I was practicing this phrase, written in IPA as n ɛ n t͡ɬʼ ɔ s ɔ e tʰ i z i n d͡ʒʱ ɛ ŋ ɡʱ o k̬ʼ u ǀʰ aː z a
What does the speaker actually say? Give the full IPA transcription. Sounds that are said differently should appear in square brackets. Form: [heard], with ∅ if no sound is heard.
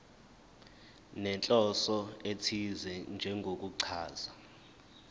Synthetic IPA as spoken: n ɛ n t͡ɬʼ ɔ s ɔ e tʰ i z [ɛ] n d͡ʒʱ ɛ ŋ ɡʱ o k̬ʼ u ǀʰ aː z a

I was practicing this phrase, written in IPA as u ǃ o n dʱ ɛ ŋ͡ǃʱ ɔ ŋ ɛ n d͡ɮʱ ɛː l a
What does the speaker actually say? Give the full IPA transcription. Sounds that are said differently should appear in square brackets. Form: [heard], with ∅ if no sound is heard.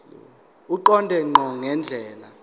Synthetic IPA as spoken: u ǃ [ɔ] n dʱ ɛ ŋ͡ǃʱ ɔ ŋ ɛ n d͡ɮʱ ɛː l a

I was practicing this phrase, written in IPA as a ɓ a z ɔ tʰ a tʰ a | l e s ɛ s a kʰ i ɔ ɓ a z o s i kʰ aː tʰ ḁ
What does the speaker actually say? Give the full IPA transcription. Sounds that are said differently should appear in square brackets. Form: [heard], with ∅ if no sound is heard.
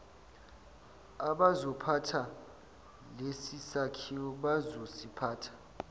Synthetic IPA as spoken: a ɓ a z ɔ [pʰ] a tʰ a | l e s [i] s a kʰ i ɔ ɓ a z o s i [pʰ] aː tʰ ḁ

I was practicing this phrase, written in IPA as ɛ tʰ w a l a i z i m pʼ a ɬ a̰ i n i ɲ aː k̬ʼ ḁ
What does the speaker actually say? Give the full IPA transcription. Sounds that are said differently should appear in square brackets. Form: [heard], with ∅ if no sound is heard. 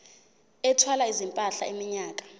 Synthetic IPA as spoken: ɛ tʰ w a l a i z i m pʼ a ɬ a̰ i [m] i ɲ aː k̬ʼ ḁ

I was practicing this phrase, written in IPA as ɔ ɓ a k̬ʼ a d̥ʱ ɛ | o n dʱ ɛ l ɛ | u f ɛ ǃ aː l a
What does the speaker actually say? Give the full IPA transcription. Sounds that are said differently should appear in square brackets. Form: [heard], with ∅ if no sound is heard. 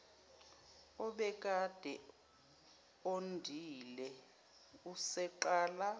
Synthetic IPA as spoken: ɔ ɓ [ɛ] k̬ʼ a d̥ʱ ɛ | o n dʱ [i] l ɛ | u [s] ɛ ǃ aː l a

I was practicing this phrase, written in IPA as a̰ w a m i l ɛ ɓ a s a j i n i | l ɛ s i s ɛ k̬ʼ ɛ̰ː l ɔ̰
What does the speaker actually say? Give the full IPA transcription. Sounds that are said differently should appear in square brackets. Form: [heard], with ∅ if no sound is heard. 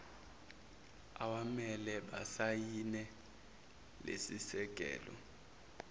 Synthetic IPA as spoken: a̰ w a m [ɛ] l ɛ ɓ a s a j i n [ɛ] | l [e] s i s ɛ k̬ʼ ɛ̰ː l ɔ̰

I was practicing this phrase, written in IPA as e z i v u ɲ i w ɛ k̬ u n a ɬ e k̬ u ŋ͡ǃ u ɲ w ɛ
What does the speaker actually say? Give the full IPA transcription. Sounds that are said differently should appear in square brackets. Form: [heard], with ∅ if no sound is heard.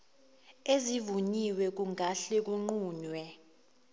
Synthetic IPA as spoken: e z i v u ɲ i w ɛ k̬ u [ŋ] a ɬ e k̬ u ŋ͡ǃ [uː] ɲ w ɛ

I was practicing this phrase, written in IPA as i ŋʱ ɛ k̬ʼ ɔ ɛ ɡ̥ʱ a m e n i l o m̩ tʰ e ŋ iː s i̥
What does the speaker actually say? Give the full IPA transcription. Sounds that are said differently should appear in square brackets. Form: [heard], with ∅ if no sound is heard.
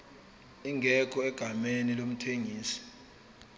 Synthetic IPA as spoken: i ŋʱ ɛ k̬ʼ ɔ ɛ ɡ̥ʱ a m e n i l o m̩ tʰ e ŋ iː s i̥

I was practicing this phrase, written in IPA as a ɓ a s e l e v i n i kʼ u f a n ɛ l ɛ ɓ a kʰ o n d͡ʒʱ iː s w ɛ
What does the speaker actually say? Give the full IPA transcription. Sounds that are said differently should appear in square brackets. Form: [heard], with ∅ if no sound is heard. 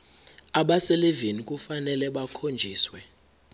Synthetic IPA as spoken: a ɓ a s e l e v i n i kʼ u f a n ɛ l ɛ ɓ a kʰ o n d͡ʒʱ iː s w ɛ

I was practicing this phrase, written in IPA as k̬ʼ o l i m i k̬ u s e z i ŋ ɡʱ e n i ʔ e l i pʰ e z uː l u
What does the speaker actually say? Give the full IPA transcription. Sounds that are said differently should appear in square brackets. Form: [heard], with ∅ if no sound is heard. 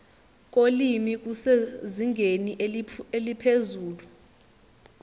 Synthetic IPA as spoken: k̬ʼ o l i m i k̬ u s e z i ŋ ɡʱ e n i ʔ e l i pʰ e z uː l u

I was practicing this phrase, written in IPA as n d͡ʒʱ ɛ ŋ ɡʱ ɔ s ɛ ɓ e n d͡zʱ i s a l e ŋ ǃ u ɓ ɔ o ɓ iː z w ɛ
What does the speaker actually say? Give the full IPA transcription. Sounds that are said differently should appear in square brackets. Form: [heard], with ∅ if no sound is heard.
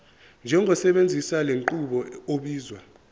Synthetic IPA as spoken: n d͡ʒʱ ɛ ŋ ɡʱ ɔ s ɛ ɓ e n d͡zʱ i s a l e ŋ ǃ u ɓ ɔ o ɓ iː z w [a]

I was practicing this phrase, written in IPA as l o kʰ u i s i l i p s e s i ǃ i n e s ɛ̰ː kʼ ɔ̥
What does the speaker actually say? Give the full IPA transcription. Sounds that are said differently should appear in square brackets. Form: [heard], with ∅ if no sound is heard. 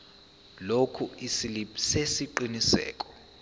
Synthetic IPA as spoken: l o kʰ u i s i l i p s e s i ǃ i n [i] s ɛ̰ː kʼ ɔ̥

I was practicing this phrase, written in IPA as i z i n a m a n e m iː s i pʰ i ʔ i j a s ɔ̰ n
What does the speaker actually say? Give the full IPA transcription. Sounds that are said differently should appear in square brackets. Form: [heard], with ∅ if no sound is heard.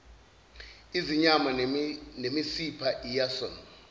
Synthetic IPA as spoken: i z i [ɲ] a m a n e m [i] s i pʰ [a] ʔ i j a s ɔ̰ n

